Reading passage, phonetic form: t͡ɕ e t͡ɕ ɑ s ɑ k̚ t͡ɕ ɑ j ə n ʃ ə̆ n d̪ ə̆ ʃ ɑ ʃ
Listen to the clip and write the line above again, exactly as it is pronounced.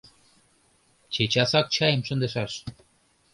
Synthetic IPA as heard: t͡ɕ e t͡ɕ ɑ s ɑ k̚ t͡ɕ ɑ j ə m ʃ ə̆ n d̪ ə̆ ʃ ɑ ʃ